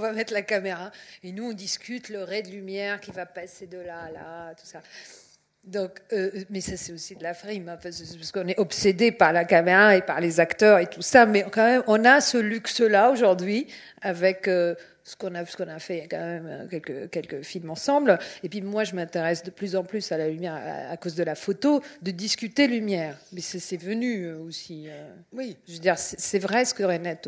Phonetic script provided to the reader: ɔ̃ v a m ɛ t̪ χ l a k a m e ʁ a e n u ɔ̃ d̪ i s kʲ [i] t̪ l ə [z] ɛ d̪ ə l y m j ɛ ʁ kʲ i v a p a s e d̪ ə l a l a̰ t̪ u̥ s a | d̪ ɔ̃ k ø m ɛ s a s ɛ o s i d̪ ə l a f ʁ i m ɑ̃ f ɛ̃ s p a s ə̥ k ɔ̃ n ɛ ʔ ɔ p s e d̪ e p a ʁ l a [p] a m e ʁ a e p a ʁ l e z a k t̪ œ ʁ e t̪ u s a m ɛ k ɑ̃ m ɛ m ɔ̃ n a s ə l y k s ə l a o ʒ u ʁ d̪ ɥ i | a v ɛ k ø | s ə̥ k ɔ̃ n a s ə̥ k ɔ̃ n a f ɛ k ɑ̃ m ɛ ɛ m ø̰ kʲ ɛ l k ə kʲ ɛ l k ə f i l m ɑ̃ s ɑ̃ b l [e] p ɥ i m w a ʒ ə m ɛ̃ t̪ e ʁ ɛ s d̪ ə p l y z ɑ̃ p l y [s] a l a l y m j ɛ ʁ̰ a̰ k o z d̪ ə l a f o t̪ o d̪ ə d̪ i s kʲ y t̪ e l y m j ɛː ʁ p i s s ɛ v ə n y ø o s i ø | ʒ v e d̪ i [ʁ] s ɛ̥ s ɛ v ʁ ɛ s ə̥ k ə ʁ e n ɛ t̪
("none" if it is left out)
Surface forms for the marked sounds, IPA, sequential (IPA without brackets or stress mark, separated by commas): y, ʁ, k, e, s, ʁ